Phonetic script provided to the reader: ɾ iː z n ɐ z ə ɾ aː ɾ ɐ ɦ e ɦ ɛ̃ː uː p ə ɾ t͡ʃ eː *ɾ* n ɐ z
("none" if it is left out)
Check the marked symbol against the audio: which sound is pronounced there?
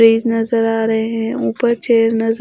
ɾ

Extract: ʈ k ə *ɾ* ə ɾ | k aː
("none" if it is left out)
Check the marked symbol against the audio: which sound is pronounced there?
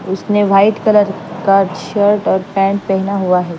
l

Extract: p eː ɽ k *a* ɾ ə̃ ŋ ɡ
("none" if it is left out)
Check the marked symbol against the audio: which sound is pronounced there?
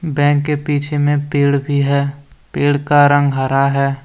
a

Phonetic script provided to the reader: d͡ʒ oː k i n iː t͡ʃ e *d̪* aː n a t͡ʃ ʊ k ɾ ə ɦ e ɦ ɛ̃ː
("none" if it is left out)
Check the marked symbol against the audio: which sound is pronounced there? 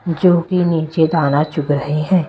d̪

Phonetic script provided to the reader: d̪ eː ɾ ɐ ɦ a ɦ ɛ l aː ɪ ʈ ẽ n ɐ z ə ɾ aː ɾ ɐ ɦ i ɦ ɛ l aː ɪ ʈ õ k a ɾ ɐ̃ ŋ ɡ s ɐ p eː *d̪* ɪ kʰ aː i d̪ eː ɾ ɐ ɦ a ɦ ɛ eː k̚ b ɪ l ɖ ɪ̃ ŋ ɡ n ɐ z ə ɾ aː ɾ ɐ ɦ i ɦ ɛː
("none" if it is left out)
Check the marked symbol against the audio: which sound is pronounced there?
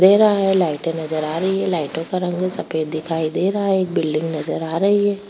d̪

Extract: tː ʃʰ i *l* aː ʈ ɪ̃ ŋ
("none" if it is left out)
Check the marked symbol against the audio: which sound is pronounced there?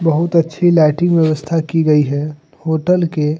l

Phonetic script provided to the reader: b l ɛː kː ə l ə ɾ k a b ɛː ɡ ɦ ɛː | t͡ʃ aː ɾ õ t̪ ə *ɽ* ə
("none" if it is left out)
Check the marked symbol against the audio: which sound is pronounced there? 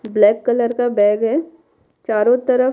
ɾ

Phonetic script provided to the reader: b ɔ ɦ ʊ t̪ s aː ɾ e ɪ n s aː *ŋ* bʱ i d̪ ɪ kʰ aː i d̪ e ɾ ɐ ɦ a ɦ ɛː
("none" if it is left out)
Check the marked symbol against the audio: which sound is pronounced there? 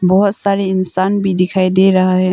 n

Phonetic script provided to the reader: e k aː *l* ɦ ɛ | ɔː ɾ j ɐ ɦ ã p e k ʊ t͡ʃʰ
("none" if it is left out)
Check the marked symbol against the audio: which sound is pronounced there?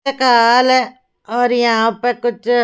l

